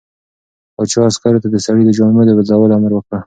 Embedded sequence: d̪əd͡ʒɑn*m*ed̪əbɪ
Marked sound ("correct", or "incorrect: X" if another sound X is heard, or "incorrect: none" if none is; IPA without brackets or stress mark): correct